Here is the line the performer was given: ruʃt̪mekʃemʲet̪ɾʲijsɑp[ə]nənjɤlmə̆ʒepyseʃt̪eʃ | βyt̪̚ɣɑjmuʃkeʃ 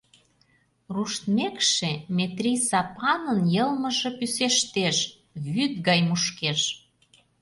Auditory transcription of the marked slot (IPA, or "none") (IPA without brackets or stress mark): ɑ